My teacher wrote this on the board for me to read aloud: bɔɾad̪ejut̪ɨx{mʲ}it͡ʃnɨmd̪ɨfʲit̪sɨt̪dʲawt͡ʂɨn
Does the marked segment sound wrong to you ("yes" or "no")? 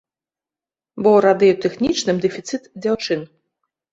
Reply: yes